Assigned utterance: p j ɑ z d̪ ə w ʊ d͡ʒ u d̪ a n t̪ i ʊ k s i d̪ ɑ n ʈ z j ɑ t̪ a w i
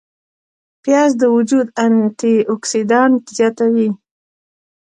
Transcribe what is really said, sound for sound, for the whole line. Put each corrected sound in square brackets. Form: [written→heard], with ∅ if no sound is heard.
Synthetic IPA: p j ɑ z d̪ ə w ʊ d͡ʒ u d̪ a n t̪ i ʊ k s i d̪ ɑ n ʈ z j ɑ t̪ a w i

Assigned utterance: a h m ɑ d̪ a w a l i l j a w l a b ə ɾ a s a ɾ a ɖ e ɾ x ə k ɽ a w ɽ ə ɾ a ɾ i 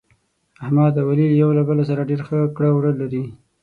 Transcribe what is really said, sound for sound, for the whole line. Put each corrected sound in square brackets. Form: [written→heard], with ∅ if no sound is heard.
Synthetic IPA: a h m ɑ d̪ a w a l i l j a w l a b ə [ɾ→l] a s a ɾ a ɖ e ɾ x ə k ɽ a w ɽ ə [ɾ→l] a ɾ i

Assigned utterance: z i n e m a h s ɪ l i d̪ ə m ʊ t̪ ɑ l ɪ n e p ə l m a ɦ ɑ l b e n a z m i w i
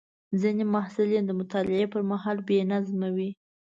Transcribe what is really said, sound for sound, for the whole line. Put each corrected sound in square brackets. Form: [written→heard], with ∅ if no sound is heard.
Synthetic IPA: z i n e m a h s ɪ l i d̪ ə m ʊ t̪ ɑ l ɪ [n→∅] e p ə [l→ɾ] m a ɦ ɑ l b e n a z m [i→a] w i

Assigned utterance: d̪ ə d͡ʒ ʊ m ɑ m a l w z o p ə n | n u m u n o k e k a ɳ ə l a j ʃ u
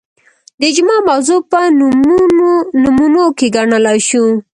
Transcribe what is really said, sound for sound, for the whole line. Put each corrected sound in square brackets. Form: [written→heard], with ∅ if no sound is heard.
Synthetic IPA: d̪ ə d͡ʒ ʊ m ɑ m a [l→∅] w z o p ə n | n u m u n o k e [k→ɡ] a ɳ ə l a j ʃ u

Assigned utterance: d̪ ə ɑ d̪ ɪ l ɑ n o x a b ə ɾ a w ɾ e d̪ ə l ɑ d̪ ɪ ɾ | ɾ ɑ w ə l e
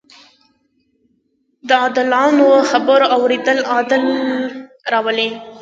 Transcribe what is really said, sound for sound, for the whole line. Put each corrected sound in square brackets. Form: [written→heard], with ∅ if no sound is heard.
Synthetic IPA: d̪ ə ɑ d̪ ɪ l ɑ n o x a b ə ɾ a w ɾ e d̪ ə l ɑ d̪ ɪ [ɾ→l] | ɾ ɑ w ə l e

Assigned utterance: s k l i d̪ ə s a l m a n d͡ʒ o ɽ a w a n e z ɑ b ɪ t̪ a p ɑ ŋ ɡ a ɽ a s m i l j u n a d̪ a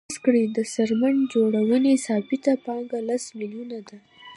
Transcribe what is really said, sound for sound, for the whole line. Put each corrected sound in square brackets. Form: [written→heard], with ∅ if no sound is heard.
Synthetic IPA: s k [l→ɽ] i d̪ ə s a [l→ɾ] m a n d͡ʒ o ɽ a w [a→ə] n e [z→s] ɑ b ɪ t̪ a p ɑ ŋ ɡ a [ɽ→l] a s m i l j u n a d̪ a

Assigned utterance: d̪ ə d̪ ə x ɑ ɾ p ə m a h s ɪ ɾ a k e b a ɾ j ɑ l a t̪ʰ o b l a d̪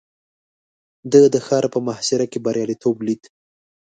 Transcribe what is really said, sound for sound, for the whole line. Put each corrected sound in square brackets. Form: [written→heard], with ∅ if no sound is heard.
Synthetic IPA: d̪ ə d̪ ə x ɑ ɾ p ə m a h s ɪ ɾ a k e b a ɾ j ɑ l [a→i] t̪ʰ o b l [a→i] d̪

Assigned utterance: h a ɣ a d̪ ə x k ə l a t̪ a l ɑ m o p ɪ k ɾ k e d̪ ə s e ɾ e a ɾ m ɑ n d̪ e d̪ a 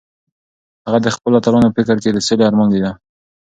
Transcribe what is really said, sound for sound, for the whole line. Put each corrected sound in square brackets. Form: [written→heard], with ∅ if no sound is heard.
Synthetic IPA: h a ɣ a d̪ ə x [k→p] ə l a t̪ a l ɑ [m→n] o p ɪ k ɾ k e d̪ ə s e [ɾ→l] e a ɾ m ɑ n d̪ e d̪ a

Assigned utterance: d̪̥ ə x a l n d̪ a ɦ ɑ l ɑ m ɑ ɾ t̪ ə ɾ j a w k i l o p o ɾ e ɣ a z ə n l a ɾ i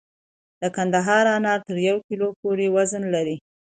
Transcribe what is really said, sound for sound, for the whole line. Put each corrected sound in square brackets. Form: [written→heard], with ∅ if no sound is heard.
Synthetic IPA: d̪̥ ə [x→k] a [l→∅] n d̪ a ɦ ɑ [l→ɾ] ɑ [m→n] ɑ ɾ t̪ ə ɾ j a w k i l o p o ɾ e [ɣ→w] a z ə n l a ɾ i

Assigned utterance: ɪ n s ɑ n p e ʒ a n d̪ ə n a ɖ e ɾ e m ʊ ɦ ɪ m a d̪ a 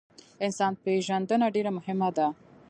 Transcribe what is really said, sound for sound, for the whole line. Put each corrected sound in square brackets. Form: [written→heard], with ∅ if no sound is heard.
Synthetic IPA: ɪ n s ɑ n p e ʒ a n d̪ ə n a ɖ e ɾ [e→a] m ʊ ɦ ɪ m a d̪ a

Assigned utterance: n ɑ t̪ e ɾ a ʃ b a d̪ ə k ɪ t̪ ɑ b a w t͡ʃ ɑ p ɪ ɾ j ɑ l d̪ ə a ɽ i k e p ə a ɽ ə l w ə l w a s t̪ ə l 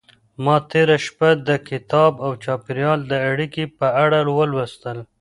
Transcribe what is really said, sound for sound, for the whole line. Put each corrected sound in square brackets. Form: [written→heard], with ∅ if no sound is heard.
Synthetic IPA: [n→m] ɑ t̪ e ɾ a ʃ [b→p] a d̪ ə k ɪ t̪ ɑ b a w t͡ʃ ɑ p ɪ ɾ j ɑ l d̪ ə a ɽ i k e p ə a ɽ [ə→a] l w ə l w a s t̪ ə l

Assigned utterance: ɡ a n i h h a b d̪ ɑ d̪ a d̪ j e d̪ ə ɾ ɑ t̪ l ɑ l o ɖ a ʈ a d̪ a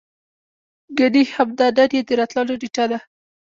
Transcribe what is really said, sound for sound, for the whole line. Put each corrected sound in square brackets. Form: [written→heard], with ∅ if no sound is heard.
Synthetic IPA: ɡ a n i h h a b d̪ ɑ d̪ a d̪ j e d̪ ə ɾ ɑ t̪ l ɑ l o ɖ [a→i] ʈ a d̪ a

